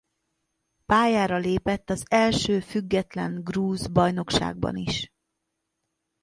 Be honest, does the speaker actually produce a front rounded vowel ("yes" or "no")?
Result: yes